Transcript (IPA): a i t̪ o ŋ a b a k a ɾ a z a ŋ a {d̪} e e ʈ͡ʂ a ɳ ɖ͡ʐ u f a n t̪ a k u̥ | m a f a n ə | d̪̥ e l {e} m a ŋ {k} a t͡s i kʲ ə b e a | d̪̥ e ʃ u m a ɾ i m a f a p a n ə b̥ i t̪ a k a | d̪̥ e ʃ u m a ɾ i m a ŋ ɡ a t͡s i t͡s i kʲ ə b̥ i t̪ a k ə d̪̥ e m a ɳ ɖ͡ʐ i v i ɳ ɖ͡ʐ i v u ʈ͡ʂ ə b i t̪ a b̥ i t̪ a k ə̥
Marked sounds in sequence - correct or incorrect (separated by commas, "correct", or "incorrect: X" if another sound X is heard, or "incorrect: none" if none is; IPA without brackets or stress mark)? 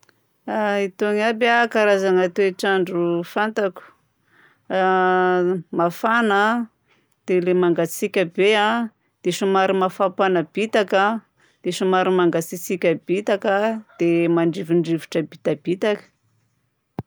incorrect: t̪, correct, incorrect: ɡ